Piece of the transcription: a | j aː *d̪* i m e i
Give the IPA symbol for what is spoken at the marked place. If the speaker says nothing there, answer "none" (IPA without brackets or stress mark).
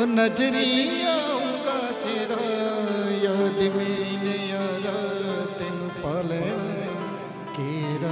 d̪